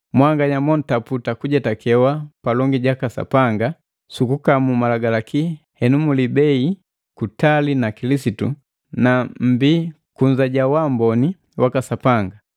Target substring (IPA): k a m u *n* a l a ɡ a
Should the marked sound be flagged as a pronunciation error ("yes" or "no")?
yes